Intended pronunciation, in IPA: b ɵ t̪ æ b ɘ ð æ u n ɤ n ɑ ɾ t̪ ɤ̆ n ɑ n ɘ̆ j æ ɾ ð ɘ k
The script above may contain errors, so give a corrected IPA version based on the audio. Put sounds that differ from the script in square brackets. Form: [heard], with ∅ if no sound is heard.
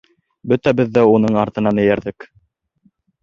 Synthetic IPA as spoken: b ɵ t̪ æ b ɘ [ðː] æ u n ɤ [ɴ] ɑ ɾ t̪ ɤ̆ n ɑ n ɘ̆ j æ ɾ ð ɘ k